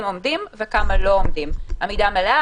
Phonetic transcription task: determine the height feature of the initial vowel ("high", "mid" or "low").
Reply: mid